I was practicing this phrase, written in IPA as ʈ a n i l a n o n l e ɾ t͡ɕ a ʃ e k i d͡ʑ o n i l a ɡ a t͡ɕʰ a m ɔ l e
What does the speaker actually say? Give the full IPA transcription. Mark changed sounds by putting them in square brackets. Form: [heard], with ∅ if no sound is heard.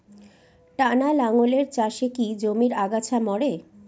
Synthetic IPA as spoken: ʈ a n [a] l a [ŋ] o [∅] l e ɾ t͡ɕ a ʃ e k i d͡ʑ o [m] i [ɾ] a ɡ a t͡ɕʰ a m ɔ [ɽ] e

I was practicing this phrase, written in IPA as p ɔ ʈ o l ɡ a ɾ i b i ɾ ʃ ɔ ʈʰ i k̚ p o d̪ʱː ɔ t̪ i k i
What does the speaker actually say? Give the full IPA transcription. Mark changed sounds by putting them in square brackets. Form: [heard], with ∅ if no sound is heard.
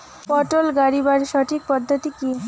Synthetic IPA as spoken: p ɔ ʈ o l ɡ a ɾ i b [a] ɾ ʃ ɔ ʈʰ i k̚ p [ɔ] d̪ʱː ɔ t̪ i k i

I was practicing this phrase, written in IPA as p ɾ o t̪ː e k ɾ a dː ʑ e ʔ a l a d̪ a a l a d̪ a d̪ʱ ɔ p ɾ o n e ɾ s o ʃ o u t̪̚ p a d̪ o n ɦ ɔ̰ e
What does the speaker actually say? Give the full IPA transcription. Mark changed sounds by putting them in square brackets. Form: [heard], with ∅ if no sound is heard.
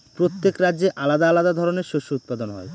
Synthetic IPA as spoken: p ɾ o t̪ː e k ɾ a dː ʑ e ʔ a l a d̪ a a l a d̪ a d̪ʱ ɔ [∅] ɾ o n e ɾ [ʃ] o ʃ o u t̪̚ p a d̪ o n ɦ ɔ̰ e

